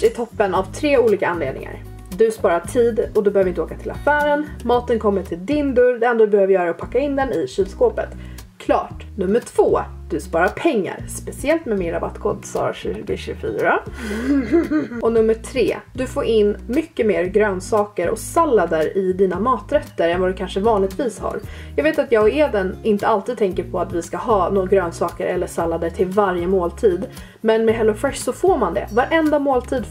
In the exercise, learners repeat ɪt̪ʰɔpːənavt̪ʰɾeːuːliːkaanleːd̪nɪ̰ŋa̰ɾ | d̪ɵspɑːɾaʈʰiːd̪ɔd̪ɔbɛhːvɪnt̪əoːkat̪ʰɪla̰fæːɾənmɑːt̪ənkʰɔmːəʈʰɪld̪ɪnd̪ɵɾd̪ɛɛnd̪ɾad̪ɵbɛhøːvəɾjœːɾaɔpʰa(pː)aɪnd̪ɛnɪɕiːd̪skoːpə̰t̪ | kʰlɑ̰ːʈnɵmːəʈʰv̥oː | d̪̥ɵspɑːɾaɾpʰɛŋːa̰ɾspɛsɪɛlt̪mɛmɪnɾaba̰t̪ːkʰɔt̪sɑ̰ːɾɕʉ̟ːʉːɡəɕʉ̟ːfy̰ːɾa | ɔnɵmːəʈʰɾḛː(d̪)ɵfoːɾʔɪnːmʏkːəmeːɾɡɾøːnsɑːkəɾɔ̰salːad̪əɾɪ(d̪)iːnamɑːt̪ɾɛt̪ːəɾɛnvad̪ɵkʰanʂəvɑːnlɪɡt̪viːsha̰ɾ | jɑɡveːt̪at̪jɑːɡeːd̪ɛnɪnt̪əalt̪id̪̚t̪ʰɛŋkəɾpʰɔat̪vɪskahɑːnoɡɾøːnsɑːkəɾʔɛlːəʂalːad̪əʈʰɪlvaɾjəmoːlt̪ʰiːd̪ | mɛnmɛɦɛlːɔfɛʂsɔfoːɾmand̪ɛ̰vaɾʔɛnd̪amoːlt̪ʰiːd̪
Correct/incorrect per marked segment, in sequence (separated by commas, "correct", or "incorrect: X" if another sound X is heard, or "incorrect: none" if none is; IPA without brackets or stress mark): incorrect: kː, correct, correct